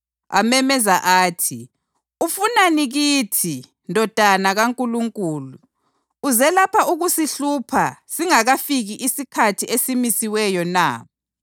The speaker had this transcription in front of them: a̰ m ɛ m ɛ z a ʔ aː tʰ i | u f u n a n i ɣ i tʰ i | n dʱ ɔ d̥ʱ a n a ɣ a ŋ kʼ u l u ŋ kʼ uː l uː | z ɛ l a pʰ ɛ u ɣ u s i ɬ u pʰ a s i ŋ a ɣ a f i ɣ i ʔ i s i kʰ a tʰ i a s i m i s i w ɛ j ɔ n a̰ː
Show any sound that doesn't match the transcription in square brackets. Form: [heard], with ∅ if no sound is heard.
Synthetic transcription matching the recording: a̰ m ɛ m ɛ z a ʔ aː tʰ i | u f u n a n i ɣ i tʰ i | n dʱ ɔ d̥ʱ a n a ɣ a ŋ kʼ u l u ŋ kʼ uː l uː | z ɛ l a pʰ [a] u ɣ u s i ɬ u pʰ a s i ŋ a ɣ a f i ɣ i ʔ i s i kʰ a tʰ i [e] s i m i s i w ɛ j ɔ n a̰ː